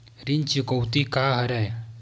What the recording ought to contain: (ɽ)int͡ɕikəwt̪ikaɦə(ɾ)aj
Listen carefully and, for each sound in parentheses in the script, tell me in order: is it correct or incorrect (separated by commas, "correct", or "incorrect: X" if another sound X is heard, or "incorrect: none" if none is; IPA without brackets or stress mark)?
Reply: incorrect: ɾ, correct